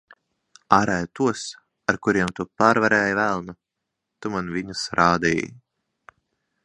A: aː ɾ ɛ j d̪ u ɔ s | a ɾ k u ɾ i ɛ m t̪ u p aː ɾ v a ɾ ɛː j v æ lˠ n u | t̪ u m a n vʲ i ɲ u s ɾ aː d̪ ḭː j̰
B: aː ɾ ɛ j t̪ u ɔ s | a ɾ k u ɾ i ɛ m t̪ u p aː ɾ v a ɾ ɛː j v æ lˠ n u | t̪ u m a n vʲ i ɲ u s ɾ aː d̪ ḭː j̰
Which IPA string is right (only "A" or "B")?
B